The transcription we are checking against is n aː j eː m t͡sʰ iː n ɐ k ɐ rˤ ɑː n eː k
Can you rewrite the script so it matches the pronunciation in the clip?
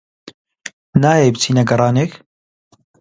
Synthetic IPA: n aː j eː b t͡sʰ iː n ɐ ɡ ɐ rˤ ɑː n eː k